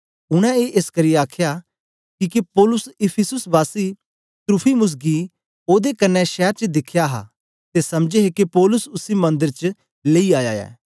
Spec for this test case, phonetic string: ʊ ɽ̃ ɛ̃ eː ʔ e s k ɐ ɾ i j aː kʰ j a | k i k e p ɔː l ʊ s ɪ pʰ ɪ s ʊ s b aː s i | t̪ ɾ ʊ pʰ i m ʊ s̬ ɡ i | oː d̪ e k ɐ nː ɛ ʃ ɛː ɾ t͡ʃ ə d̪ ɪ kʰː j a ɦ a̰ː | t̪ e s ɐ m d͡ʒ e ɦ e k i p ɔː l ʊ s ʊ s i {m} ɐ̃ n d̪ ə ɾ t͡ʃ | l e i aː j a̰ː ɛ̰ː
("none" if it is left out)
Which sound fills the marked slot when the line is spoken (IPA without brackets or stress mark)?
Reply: m